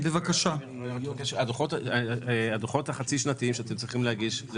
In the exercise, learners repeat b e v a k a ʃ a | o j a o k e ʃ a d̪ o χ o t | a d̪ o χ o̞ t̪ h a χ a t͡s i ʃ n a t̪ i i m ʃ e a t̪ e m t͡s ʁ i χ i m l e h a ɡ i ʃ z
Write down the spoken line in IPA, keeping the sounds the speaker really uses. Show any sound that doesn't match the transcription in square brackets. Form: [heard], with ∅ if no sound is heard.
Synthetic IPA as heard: b e v a k a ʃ a | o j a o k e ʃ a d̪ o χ o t | a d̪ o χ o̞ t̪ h a χ a t͡s i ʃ n a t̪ i i m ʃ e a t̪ e m t͡s ʁ i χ i m l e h a ɡ i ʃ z